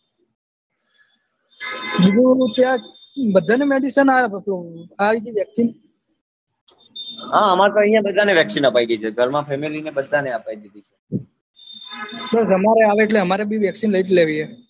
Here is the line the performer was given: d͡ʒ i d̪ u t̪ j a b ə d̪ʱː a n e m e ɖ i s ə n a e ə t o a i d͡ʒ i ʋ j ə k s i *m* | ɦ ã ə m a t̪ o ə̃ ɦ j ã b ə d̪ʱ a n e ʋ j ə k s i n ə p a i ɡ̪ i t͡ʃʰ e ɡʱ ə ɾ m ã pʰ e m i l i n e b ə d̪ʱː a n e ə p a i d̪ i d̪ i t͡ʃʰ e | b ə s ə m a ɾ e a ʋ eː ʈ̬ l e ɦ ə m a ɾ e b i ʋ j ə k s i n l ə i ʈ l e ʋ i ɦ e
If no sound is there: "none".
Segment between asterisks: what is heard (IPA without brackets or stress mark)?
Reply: n